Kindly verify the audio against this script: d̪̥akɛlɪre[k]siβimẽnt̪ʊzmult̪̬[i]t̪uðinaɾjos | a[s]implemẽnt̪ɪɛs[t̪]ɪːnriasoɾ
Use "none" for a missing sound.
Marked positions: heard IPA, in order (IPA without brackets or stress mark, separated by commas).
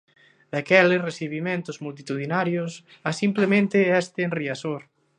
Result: none, i, s, t̪